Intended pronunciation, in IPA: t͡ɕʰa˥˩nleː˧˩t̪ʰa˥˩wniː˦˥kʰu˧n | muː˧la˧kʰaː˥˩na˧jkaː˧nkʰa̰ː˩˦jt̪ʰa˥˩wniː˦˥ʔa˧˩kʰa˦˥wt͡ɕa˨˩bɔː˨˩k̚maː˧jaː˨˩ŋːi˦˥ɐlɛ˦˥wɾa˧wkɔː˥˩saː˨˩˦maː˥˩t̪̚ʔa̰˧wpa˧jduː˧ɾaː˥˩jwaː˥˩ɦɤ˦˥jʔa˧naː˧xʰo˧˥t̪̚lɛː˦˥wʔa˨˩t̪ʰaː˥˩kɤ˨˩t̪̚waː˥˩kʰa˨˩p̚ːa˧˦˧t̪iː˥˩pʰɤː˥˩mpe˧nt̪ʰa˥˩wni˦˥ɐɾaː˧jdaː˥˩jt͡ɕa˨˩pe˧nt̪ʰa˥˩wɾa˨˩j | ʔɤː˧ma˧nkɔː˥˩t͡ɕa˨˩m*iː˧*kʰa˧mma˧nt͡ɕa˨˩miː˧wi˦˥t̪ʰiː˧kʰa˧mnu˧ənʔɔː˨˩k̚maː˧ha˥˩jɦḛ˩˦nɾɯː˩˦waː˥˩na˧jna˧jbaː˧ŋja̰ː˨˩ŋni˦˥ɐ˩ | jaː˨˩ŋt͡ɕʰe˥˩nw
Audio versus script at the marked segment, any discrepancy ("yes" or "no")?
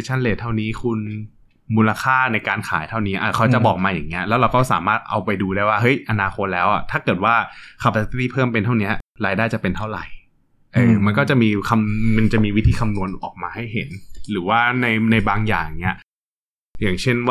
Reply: no